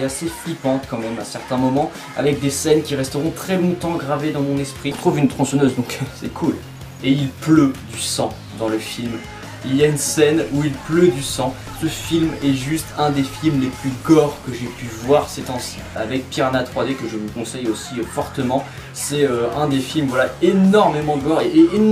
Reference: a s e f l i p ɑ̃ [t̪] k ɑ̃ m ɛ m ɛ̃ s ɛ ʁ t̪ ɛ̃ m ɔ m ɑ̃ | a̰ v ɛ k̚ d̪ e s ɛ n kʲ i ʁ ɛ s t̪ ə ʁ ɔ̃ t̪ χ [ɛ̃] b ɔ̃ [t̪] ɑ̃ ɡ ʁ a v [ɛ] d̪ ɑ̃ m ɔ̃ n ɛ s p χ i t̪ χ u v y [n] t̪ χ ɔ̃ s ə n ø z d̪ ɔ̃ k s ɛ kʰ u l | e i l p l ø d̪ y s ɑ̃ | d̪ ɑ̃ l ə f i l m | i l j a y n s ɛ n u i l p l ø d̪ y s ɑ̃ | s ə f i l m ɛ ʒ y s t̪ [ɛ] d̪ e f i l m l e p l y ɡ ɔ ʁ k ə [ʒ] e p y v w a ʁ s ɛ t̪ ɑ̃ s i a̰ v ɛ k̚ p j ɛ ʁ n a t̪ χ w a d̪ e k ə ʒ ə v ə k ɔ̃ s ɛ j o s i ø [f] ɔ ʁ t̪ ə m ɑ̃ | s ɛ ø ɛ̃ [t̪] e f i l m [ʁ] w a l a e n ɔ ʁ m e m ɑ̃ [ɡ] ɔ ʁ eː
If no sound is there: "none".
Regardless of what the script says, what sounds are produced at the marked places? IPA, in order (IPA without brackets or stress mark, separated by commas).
t̪, ɛ, t̪, e, n, ɛ̃, ʒ, f, d̪, v, ɡ